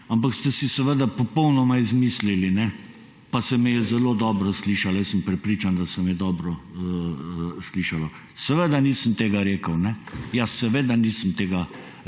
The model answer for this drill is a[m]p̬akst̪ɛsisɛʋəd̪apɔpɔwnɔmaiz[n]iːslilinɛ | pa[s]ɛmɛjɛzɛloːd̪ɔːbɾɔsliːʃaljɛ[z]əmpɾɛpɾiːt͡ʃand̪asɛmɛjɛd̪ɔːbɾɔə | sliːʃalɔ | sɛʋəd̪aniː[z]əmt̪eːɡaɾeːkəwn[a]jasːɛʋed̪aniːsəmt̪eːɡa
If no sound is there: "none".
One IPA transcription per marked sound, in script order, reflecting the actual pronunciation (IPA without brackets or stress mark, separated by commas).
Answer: m, m, s, s, s, ɛ